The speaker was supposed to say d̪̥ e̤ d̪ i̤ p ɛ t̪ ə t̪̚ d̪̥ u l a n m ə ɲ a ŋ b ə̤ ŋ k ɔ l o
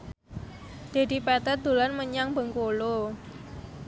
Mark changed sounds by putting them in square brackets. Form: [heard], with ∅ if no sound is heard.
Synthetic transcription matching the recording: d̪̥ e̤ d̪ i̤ p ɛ t̪ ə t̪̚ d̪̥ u l a n m ə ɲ a ŋ b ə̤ ŋ k [o] l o